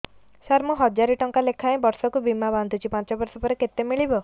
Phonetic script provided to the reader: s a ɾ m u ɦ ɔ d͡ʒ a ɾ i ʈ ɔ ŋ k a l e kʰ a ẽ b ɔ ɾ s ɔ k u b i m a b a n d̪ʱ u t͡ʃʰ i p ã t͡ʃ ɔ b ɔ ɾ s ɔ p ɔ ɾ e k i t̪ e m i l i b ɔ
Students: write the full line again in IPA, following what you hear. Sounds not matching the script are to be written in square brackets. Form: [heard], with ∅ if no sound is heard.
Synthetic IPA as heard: s a ɾ m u ɦ ɔ d͡ʒ a ɾ i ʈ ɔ ŋ k a l e kʰ a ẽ b ɔ ɾ s ɔ k u b i m a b a n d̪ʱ u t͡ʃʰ i p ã t͡ʃ ɔ b ɔ ɾ s ɔ p ɔ ɾ e k [e] t̪ e m i [ɭ] i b ɔ